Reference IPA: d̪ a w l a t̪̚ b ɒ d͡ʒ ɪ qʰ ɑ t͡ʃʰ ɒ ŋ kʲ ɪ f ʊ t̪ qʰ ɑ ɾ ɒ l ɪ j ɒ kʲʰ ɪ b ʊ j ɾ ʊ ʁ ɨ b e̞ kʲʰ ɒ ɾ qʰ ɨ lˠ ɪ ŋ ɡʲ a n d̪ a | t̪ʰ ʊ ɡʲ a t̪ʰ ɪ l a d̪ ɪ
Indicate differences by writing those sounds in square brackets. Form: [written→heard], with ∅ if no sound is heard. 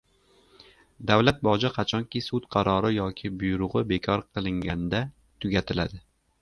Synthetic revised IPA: d̪ a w l a t̪̚ b ɒ d͡ʒ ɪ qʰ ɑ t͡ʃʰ ɒ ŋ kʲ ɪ [f→s] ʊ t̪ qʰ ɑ ɾ ɒ [l→ɾ] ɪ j ɒ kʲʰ ɪ b ʊ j ɾ ʊ ʁ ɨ b e̞ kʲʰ ɒ ɾ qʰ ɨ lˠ ɪ ŋ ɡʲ a n d̪ a | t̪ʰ ʊ ɡʲ a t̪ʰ ɪ l a d̪ ɪ

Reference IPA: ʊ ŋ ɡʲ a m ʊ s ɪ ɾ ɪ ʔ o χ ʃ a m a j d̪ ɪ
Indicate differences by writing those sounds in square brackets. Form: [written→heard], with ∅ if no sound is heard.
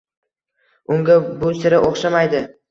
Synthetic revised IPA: ʊ ŋ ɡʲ a [m→b] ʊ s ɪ ɾ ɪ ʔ o χ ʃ a m a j d̪ ɪ

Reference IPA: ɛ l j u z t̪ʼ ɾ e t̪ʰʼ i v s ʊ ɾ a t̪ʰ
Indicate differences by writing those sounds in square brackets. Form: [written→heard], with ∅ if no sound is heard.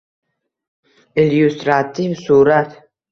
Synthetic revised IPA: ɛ l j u [z→s] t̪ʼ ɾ [e→a] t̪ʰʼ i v s [ʊ→u] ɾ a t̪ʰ

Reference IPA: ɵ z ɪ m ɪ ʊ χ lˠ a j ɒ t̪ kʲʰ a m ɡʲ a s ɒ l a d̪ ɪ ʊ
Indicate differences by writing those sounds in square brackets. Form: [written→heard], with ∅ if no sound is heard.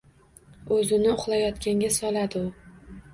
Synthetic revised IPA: ɵ z ɪ [m→n] ɪ ʊ χ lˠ a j ɒ t̪ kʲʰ a [m→ŋ] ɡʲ a s ɒ l a d̪ ɪ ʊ

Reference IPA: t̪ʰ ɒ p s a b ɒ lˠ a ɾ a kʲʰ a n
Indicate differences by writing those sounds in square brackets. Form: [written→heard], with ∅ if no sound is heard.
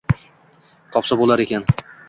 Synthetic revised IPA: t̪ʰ ɒ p s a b [ɒ→o] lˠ a ɾ [a→e] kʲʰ a n

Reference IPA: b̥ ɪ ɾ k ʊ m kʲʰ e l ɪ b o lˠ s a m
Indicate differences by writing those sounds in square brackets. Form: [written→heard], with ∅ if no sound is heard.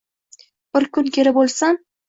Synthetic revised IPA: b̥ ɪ ɾ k ʊ [m→n] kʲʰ e [l→ɾ] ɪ b o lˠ s a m

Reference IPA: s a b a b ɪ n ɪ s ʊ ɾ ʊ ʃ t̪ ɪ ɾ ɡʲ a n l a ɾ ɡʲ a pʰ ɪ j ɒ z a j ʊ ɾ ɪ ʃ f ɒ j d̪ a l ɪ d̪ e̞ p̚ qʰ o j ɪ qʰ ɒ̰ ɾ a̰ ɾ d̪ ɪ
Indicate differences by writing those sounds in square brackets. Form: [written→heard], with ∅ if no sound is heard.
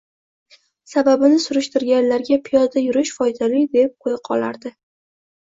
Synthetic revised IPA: s a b a b ɪ n ɪ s ʊ ɾ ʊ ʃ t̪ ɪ ɾ ɡʲ a n l a ɾ ɡʲ a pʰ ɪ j ɒ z a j ʊ ɾ ɪ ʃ f ɒ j d̪ a l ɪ d̪ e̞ p̚ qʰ o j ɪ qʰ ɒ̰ [ɾ→l] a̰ ɾ d̪ ɪ

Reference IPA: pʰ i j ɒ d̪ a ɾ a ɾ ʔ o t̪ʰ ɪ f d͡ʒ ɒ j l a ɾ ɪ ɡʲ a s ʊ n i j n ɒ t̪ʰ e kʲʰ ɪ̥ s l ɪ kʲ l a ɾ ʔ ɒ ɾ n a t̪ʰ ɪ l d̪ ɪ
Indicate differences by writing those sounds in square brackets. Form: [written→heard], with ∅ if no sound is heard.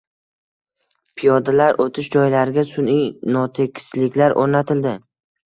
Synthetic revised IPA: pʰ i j ɒ d̪ a [ɾ→l] a ɾ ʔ o t̪ʰ ɪ [f→ʃ] d͡ʒ ɒ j l a ɾ ɪ ɡʲ a s ʊ n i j n ɒ t̪ʰ e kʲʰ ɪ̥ s l ɪ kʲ l a ɾ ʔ [ɒ→o] ɾ n a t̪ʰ ɪ l d̪ ɪ

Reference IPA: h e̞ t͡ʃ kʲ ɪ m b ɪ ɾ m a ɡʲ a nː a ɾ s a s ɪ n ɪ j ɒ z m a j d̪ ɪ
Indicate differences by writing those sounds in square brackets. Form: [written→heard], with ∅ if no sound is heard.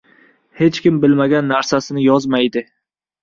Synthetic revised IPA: h e̞ t͡ʃ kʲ ɪ m b ɪ [ɾ→l] m a ɡʲ a nː a ɾ s a s ɪ n ɪ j ɒ z m a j d̪ ɪ

